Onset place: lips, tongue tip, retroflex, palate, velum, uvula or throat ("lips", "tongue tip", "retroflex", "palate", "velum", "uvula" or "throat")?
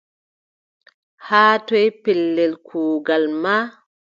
throat